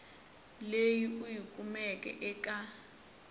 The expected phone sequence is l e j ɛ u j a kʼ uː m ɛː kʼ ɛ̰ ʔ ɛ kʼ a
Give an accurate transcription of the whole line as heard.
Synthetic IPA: l e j i u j i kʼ u m ɛ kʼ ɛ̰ ʔ ɛ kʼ a